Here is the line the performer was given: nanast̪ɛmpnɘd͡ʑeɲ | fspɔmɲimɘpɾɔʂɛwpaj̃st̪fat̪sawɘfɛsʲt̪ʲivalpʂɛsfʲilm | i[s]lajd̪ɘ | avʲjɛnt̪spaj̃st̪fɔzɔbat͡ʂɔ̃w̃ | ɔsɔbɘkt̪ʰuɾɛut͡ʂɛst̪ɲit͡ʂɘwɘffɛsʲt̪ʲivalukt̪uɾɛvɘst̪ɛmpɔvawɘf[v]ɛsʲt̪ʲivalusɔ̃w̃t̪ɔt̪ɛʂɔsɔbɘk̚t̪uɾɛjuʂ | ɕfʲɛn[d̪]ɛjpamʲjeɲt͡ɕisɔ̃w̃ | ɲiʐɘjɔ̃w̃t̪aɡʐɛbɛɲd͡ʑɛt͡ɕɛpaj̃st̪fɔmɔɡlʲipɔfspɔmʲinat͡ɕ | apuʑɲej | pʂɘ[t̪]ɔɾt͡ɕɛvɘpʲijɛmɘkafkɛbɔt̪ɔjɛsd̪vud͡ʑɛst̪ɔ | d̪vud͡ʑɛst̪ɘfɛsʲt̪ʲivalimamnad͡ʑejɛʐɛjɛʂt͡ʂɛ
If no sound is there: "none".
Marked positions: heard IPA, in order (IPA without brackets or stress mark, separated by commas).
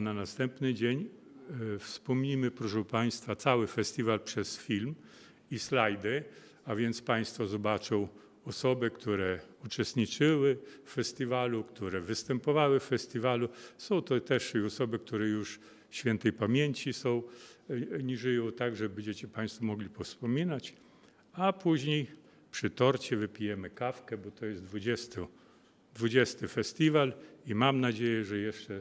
s, f, t̪, t̪